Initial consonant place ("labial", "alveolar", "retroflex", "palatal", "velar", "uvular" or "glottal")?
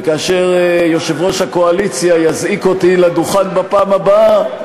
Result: velar